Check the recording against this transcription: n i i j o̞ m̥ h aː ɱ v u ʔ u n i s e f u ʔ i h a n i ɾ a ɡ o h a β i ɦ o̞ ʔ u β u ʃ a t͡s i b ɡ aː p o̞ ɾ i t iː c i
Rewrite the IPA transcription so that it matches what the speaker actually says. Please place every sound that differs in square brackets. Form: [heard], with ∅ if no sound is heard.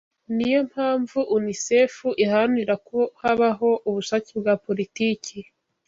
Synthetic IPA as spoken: n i i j o̞ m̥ h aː ɱ v u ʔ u n i s e f u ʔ i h a n i ɾ a [k] o h a β [a] ɦ o̞ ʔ u β u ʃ a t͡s i b ɡ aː p o̞ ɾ i t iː c i

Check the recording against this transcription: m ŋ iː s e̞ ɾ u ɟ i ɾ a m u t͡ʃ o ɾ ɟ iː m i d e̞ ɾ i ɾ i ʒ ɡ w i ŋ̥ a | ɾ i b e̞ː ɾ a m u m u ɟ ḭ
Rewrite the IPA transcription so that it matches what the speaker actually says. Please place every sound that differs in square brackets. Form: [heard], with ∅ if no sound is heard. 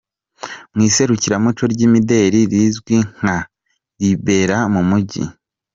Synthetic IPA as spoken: m ŋ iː s e̞ ɾ u [c] i ɾ a m u t͡ʃ o ɾ ɟ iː m i d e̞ ɾ i ɾ i [z] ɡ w i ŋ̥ a | ɾ i b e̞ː ɾ a m u m u ɟ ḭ

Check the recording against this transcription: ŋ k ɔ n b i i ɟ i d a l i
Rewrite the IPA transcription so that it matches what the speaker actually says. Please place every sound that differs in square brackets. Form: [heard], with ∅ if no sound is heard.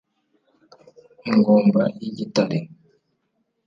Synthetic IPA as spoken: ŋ [ɡ] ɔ [m] b [a] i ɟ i [t] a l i

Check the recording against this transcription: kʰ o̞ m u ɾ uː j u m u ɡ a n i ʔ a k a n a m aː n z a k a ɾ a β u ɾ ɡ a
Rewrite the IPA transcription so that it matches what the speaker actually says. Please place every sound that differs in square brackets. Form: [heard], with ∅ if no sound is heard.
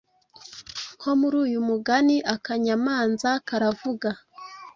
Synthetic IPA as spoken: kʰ o̞ m u ɾ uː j u m u ɡ a n i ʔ a k a [ɲ] a m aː n z a k a ɾ a [v] u [∅] ɡ a

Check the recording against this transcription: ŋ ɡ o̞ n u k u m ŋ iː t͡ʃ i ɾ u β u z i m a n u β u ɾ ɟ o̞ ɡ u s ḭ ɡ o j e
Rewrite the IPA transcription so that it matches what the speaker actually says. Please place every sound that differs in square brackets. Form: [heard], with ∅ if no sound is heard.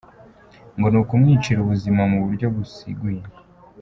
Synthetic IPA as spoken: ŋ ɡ o̞ n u k u m ŋ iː t͡ʃ i ɾ u β u z i m a [m] u β u ɾ ɟ o̞ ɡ u s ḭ ɡ [u] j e

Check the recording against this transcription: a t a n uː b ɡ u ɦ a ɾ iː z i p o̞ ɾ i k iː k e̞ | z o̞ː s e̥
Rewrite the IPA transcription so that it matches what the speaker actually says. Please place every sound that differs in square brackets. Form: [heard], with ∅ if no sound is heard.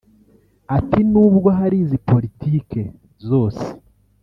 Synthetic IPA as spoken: a t [i] n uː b ɡ [o] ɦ a ɾ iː z i p o̞ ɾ i [t] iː k e̞ | z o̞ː s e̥

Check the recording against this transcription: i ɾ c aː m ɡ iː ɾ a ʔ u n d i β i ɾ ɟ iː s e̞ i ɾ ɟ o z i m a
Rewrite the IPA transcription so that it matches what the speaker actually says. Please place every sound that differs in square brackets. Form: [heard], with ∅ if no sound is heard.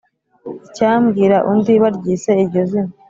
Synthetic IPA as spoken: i [∅] c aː m ɡ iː ɾ a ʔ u n d i β [a] ɾ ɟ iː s e̞ i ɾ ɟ o z i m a

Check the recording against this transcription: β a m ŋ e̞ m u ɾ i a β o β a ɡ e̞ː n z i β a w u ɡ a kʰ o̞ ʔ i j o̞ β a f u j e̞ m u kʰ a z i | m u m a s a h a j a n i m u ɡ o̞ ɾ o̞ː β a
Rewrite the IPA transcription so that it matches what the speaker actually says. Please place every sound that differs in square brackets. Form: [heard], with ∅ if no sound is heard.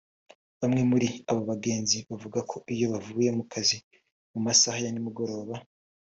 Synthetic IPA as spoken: β a m ŋ e̞ m u ɾ i a β o β a ɡ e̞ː n z i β a [v] u ɡ a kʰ o̞ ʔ i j o̞ β a [v] u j e̞ m u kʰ a z i | m u m a s a h a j a n i m u ɡ o̞ ɾ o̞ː β a

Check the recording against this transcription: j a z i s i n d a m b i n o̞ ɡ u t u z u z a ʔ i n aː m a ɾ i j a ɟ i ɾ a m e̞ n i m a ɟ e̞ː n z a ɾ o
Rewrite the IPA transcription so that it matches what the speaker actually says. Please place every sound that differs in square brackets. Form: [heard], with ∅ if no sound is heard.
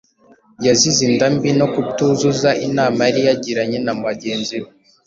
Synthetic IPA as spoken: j a z i [z] i n d a m b i n o̞ [k] u t u z u z a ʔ i n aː m a ɾ i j a ɟ i ɾ a [ɲ] e̞ n [a] m a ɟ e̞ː n z [i] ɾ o

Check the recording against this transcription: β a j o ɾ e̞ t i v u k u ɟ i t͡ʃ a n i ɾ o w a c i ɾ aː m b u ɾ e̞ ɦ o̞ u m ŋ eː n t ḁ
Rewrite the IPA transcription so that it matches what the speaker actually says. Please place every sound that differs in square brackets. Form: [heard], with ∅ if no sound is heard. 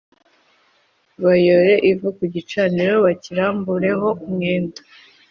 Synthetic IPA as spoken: β a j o ɾ e̞ [ʔ] i v u k u ɟ i t͡ʃ a n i ɾ o [β] a c i ɾ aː m b u ɾ e̞ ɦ o̞ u m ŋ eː n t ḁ

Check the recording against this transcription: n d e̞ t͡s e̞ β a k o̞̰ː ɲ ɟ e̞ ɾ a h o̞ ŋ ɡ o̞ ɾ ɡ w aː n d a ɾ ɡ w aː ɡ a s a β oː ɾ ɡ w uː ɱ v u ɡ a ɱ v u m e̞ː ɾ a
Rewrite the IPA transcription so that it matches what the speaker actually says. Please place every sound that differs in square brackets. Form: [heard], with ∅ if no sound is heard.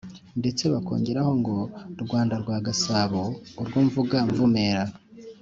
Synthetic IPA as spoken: n d e̞ t͡s e̞ β a k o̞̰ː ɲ ɟ e̞ ɾ a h o̞ ŋ ɡ o̞ ɾ ɡ w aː n d a ɾ ɡ w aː ɡ a s a β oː ɾ ɡ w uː ɱ v u ɡ a ɱ v u m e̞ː ɾ a

